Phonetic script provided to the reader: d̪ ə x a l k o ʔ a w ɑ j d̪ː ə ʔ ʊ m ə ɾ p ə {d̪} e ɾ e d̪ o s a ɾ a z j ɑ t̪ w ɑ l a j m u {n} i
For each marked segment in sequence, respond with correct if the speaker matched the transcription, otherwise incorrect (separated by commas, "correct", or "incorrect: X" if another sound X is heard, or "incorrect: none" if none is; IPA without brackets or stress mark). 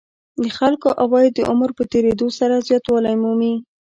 incorrect: t̪, incorrect: m